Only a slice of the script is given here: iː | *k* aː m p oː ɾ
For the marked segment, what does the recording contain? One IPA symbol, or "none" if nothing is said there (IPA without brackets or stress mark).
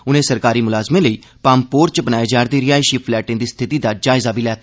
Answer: p